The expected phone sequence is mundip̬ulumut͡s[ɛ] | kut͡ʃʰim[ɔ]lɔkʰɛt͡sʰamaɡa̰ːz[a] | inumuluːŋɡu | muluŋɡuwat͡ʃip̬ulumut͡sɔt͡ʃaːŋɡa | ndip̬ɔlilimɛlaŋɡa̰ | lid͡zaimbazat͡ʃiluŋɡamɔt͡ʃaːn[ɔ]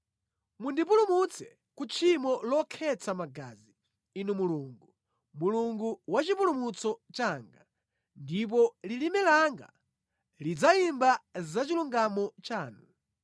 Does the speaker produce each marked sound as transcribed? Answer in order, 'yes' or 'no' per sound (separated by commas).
yes, yes, no, no